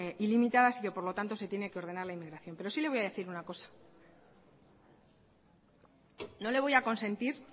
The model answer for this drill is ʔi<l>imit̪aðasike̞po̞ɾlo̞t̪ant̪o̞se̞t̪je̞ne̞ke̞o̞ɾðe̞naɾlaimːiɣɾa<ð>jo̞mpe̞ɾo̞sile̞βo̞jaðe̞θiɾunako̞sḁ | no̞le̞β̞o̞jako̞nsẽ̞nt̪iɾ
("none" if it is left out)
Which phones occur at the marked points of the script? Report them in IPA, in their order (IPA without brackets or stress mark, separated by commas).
l, θ